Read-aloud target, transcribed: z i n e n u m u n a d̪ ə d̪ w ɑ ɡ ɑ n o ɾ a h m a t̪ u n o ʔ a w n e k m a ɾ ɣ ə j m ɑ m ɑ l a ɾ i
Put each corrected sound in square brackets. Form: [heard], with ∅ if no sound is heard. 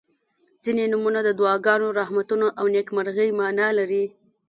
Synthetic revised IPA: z i n e n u m u n a d̪ ə d̪ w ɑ ɡ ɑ n o ɾ a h m a t̪ u n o ʔ a w n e k m a ɾ ɣ ə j m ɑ [n] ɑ l a ɾ i